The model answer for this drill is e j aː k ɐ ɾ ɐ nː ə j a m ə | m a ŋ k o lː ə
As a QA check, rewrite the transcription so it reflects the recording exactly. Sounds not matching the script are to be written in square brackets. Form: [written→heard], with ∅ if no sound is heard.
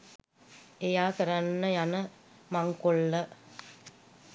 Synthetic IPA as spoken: e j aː k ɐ ɾ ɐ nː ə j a [m→n] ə | m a ŋ k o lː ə